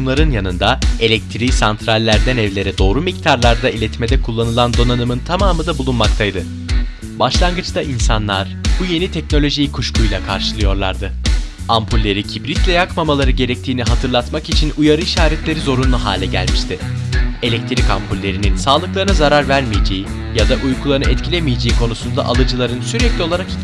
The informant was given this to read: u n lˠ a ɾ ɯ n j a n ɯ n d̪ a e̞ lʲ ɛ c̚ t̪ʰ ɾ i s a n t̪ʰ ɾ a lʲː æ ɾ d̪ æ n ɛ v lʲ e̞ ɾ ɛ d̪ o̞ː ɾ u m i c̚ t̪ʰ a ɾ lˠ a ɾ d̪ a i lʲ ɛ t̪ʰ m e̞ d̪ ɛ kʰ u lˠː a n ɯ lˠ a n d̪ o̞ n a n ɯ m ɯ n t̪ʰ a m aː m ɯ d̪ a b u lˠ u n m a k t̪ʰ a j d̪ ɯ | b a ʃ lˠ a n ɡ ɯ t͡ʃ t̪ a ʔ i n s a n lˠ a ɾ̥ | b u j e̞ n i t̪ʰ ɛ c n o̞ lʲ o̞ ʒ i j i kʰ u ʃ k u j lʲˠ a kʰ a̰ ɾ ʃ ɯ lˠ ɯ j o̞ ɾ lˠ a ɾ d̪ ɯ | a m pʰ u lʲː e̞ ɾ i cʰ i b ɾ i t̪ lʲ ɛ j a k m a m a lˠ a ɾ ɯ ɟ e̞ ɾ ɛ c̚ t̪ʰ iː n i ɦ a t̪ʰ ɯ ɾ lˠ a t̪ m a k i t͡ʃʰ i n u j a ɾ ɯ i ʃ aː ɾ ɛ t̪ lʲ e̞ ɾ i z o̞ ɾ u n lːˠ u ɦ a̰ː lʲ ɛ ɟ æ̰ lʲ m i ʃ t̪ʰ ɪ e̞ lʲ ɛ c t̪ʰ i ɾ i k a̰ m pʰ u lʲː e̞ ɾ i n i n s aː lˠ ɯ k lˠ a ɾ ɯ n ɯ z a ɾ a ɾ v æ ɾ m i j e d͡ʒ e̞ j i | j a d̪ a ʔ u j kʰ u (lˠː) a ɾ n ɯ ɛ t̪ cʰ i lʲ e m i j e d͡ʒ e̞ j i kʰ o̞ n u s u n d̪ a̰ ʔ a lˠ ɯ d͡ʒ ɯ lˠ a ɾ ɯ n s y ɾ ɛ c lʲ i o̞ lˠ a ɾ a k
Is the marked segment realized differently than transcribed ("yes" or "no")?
yes